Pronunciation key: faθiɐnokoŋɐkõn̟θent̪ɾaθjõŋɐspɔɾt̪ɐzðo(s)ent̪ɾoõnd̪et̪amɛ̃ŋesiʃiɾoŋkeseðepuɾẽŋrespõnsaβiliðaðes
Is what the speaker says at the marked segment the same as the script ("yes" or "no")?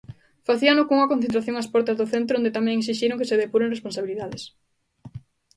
no